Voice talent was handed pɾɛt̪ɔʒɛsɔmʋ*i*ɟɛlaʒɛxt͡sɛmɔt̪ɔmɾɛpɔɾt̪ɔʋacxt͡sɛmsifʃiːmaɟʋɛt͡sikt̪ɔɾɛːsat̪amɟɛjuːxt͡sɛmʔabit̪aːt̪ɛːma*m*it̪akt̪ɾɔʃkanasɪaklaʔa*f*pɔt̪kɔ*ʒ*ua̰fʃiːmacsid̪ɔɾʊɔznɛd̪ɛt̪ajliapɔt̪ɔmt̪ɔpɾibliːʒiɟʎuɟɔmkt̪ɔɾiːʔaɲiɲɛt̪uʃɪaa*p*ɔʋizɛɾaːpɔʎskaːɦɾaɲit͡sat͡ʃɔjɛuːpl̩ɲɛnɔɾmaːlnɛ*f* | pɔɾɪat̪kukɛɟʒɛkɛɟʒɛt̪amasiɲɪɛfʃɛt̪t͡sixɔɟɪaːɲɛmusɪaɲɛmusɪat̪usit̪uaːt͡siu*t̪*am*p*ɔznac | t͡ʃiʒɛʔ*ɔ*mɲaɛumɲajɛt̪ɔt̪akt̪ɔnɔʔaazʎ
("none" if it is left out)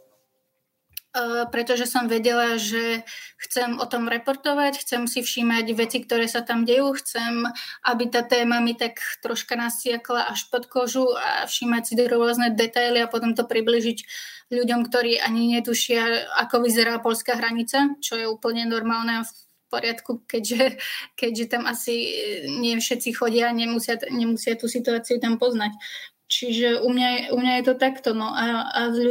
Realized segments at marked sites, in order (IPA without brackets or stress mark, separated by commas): ɛ, m, ʃ, ʒ, k, f, t̪, p, u